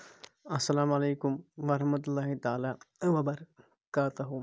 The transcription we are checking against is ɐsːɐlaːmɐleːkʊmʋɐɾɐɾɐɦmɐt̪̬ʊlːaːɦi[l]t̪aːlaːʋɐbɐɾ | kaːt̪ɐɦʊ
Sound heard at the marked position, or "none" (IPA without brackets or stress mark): none